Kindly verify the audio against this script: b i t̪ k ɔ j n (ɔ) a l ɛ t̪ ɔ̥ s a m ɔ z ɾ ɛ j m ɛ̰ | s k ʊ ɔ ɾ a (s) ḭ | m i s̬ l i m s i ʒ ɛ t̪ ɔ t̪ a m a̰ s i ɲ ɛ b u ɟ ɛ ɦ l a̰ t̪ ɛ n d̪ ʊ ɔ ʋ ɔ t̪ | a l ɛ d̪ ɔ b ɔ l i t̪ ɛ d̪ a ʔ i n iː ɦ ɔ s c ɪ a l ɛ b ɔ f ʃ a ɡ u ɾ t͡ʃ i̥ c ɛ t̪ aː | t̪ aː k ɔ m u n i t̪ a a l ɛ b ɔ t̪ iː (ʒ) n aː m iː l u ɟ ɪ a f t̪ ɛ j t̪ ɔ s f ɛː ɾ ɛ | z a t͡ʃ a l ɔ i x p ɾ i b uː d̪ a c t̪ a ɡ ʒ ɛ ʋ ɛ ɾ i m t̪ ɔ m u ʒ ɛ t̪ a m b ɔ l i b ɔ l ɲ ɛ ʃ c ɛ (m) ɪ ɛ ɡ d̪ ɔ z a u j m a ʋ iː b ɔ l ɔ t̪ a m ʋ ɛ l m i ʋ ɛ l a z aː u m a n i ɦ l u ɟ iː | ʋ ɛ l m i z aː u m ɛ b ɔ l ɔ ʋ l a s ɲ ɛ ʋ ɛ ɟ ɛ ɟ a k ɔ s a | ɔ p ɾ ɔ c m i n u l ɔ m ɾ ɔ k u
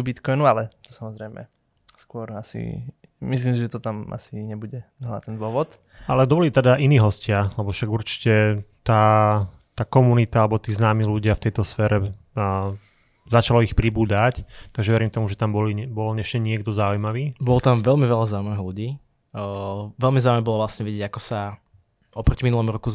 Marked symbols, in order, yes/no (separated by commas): no, yes, no, no